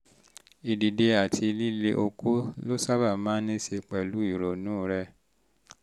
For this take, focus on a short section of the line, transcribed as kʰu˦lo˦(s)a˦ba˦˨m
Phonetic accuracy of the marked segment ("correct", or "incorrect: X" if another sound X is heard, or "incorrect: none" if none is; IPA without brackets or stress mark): correct